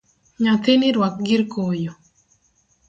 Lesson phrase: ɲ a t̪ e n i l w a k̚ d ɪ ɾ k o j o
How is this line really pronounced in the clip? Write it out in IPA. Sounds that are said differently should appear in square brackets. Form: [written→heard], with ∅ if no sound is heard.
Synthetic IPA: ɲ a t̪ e n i [l→ɾ] w a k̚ [d→ɡ] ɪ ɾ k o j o